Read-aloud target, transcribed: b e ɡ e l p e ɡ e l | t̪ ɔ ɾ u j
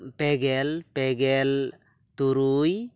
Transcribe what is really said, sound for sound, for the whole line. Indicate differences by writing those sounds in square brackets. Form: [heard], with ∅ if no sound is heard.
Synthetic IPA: [p] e ɡ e l p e ɡ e l | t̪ [u] ɾ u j